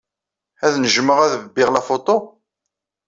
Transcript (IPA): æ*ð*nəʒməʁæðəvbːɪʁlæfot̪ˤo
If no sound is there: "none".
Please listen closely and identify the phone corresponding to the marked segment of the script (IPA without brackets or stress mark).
ð